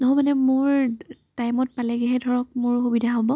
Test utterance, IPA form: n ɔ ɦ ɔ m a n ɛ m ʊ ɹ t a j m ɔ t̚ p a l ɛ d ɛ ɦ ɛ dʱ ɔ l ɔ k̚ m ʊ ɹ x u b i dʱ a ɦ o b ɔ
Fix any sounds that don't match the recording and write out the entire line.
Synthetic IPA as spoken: n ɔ ɦ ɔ m a n ɛ m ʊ ɹ t a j m ɔ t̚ p a l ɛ ɡ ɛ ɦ ɛ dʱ ɔ ɹ ɔ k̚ m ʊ ɹ x u b i dʱ a ɦ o b ɔ